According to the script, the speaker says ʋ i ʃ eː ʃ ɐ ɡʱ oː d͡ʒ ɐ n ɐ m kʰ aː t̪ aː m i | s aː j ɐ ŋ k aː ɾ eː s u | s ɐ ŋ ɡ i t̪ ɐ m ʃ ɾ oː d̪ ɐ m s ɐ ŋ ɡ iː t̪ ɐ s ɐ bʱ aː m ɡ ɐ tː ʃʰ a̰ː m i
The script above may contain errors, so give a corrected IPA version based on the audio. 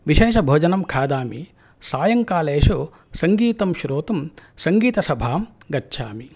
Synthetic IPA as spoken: ʋ i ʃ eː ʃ ɐ bʱ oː d͡ʒ ɐ n ɐ m kʰ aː d̪ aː m i | s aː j ɐ ŋ k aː l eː ʃ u | s ɐ ŋ ɡ iː t̪ ɐ m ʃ ɾ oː t̪ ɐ m s ɐ ŋ ɡ iː t̪ ɐ s ɐ bʱ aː m ɡ ɐ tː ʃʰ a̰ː m i